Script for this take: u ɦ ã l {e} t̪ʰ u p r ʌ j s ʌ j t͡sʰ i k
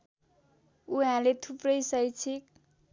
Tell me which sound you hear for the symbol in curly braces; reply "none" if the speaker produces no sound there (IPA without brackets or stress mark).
e